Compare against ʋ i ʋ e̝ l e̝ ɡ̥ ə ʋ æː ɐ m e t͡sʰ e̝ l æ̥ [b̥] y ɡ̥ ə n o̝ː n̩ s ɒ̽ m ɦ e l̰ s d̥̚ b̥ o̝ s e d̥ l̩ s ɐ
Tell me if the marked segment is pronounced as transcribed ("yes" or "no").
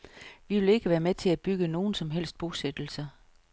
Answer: yes